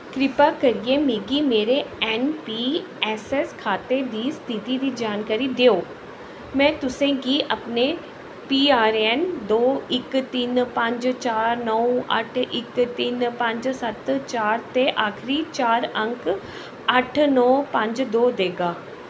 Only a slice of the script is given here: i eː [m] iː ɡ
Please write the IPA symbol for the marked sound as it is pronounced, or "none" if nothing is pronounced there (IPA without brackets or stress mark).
m